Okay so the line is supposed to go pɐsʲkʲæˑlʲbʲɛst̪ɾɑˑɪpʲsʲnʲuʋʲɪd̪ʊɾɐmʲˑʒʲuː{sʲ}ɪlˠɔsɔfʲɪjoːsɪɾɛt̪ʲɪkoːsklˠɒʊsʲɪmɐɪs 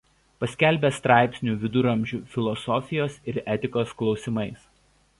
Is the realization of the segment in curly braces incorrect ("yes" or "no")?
yes